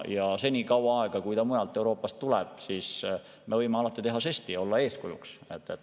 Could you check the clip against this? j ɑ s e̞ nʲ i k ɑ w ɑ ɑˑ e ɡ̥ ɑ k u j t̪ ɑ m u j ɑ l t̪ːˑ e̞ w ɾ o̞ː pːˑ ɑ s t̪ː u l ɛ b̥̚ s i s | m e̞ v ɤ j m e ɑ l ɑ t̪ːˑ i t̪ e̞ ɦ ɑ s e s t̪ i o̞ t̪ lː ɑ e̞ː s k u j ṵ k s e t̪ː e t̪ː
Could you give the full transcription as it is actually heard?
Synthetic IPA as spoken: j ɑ s e̞ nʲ i k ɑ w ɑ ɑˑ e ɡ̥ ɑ k u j t̪ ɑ m u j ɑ l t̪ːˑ e̞ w ɾ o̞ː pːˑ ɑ s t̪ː u l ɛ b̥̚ s i s | m e̞ v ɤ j m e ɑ l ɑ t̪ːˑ i t̪ e̞ ɦ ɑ s e s t̪ i o̞ lː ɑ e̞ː s k u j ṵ k s e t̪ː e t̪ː